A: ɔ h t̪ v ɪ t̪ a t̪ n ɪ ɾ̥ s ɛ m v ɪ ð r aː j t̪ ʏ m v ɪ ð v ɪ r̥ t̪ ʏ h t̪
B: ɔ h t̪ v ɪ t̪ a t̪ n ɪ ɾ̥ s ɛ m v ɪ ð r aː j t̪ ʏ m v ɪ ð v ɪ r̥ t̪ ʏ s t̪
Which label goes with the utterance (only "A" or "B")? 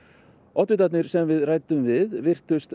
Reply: B